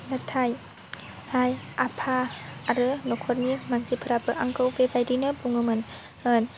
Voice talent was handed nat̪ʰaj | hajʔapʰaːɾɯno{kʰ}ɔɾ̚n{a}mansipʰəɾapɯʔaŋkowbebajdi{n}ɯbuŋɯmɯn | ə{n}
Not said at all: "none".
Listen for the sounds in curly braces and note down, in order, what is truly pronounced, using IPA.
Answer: kʰ, i, n, n

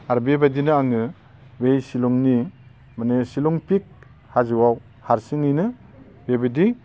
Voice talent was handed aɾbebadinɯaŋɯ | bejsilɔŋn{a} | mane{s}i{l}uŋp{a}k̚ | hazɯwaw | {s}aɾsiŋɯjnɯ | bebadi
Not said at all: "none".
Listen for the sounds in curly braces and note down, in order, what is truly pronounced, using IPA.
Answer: i, s, l, i, h

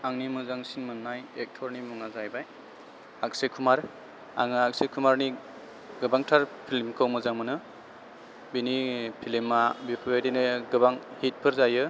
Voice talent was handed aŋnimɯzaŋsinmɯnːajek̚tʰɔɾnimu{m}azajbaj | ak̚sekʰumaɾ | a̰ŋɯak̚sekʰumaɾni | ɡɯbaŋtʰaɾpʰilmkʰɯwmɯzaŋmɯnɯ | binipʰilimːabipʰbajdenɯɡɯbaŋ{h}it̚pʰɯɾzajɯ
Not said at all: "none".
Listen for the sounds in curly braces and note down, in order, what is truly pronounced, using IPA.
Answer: ŋ, h

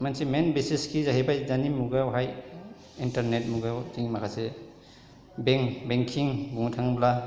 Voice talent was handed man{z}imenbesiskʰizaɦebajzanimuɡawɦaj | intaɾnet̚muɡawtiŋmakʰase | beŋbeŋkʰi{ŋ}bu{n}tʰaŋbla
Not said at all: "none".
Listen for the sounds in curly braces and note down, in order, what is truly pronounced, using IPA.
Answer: s, ŋ, ŋ

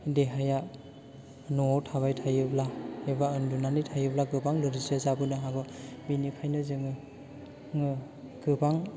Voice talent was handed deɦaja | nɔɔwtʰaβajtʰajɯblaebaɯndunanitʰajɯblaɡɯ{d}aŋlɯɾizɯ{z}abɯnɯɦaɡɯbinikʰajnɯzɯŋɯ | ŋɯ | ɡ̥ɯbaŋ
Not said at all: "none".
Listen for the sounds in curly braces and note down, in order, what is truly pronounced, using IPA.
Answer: b, z

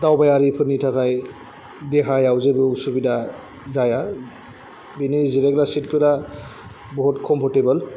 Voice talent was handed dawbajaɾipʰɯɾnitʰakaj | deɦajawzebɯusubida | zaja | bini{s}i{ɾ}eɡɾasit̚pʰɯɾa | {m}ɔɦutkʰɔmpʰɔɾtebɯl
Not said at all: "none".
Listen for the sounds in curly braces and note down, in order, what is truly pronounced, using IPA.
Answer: z, ɾ, b

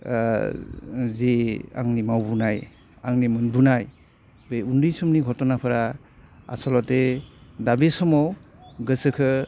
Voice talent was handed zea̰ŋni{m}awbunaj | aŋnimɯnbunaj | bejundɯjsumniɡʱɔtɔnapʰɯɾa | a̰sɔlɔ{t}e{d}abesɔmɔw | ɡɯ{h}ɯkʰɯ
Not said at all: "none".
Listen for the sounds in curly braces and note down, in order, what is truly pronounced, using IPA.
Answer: m, t, d, s

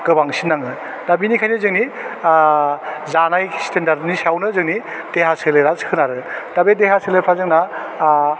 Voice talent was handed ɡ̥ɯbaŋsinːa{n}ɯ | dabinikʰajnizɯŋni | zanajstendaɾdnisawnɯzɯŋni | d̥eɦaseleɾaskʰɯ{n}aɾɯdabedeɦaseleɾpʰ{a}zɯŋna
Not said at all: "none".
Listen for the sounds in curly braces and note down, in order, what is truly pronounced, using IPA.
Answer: ŋ, n, a

